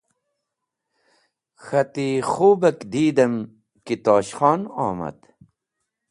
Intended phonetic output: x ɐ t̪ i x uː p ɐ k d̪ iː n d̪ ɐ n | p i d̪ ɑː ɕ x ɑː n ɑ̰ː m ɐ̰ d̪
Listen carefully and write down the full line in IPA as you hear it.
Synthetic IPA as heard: x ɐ t̪ i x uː b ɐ k d̪ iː d̪ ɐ m | k i t̪ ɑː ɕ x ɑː n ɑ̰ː m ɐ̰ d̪